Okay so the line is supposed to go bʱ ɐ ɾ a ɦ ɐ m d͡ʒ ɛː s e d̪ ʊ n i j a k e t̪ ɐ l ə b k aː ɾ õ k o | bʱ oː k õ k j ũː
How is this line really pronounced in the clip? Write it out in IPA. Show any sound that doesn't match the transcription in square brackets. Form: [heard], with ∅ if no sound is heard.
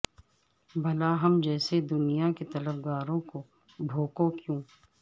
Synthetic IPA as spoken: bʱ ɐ [l] a ɦ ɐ m d͡ʒ ɛː s e d̪ ʊ n i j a k e t̪ ɐ l ə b [ɡ] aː ɾ õ k o | bʱ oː k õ k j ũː